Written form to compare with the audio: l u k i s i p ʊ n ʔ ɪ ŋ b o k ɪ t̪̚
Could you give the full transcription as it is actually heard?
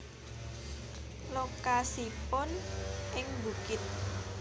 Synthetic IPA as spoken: l o k a s i p ʊ n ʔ ɪ ŋ b u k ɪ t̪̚